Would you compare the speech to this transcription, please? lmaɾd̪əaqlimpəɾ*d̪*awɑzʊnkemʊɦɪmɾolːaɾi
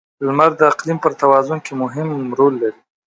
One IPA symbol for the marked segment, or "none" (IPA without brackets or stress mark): t̪